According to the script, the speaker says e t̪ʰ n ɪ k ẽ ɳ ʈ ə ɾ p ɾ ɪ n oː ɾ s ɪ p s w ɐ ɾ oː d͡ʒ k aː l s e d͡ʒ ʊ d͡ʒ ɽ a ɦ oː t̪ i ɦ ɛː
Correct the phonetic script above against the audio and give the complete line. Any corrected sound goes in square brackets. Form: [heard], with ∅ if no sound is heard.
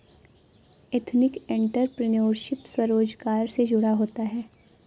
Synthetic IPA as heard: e t̪ʰ n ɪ k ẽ ɳ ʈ ə ɾ p ɾ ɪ n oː ɾ [ʃ] ɪ p s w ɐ ɾ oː d͡ʒ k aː [ɾ] s e d͡ʒ ʊ [∅] ɽ a ɦ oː t̪ [a] ɦ ɛː